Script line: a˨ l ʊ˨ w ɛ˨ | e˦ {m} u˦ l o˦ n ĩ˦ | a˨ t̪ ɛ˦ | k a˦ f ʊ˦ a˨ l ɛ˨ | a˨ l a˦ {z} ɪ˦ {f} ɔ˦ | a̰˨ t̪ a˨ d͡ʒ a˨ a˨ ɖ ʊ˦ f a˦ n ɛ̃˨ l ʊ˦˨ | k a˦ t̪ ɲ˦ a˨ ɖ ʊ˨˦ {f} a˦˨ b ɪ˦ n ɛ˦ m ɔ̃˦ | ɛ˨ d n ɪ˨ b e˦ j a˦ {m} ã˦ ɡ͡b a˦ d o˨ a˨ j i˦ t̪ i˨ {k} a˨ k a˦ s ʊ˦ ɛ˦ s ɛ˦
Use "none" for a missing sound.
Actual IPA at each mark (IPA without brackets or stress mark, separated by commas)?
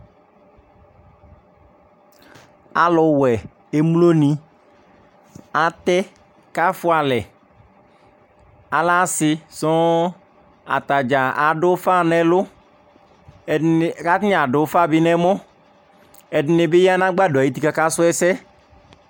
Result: m, s, s, f, n, k